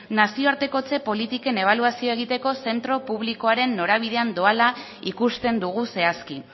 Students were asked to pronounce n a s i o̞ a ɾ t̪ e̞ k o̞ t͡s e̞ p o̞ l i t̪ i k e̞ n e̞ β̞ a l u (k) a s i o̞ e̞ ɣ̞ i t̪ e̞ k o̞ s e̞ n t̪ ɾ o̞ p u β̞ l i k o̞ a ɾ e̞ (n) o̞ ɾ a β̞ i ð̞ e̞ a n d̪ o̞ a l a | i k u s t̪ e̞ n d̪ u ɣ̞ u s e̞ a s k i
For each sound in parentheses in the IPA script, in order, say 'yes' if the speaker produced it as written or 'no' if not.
no, no

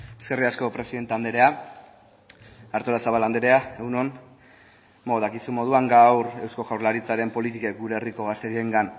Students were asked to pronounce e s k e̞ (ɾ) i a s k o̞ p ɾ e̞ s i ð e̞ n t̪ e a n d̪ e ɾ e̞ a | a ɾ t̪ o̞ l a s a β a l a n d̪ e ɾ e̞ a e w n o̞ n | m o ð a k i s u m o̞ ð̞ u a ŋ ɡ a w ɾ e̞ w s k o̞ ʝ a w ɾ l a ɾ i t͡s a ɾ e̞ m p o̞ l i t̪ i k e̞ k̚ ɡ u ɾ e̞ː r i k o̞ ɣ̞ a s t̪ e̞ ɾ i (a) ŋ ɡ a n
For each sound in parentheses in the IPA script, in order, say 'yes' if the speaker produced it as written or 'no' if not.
no, no

